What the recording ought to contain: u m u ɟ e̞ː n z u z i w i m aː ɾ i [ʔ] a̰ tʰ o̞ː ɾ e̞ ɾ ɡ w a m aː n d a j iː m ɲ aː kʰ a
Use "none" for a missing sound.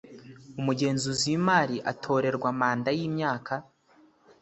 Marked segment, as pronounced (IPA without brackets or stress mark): ʔ